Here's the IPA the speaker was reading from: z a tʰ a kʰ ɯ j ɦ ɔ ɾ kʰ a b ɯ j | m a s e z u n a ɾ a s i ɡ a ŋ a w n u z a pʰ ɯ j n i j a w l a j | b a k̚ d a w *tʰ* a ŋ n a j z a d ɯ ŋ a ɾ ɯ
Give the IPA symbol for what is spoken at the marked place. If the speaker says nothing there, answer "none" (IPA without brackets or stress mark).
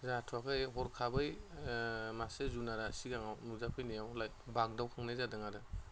kʰ